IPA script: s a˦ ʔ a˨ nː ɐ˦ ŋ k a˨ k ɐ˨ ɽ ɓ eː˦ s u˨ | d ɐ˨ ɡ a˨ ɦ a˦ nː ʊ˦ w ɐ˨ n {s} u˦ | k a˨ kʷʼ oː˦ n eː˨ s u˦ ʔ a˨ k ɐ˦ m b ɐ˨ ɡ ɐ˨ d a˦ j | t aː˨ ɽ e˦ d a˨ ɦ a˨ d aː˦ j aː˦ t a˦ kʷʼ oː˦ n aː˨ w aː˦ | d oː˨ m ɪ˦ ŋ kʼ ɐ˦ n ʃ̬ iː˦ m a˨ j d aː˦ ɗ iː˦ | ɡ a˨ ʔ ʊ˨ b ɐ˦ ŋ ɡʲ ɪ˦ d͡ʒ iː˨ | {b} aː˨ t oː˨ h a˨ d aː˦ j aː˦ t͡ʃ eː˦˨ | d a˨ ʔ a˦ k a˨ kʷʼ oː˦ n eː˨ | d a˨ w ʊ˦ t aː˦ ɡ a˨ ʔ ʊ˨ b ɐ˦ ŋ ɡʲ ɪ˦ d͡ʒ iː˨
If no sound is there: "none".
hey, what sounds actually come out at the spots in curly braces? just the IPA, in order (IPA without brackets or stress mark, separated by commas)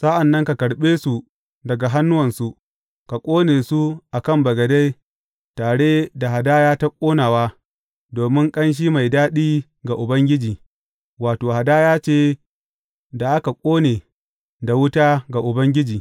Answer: s, w